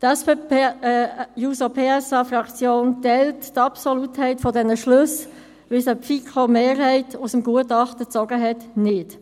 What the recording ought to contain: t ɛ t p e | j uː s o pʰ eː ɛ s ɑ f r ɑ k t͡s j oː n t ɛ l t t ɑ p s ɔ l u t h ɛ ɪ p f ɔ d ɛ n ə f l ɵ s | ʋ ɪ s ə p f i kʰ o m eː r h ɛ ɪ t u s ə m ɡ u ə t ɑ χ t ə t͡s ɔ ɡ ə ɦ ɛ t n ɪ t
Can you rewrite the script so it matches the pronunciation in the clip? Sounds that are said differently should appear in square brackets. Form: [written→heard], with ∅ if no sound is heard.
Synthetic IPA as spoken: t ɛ [t→s] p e | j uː s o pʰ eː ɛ s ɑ f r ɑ k t͡s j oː n t ɛ l t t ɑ p s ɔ l u t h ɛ ɪ [p→t] f ɔ d ɛ n ə [f→ʃ] l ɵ s | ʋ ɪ s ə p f i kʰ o m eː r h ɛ ɪ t u s ə m ɡ u ə t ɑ χ t ə t͡s ɔ ɡ ə ɦ ɛ t n ɪ t